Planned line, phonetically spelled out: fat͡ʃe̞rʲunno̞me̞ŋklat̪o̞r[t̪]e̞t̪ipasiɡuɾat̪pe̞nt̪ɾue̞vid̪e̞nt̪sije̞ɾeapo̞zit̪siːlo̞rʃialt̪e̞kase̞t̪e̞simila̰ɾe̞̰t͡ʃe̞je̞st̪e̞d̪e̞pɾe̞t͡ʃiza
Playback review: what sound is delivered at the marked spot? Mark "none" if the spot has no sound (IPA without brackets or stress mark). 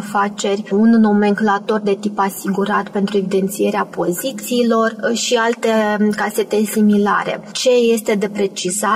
d̪